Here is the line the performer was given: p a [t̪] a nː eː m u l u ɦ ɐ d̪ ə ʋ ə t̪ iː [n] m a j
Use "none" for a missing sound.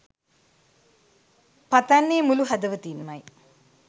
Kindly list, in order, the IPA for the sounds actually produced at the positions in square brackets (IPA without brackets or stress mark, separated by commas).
t̪, n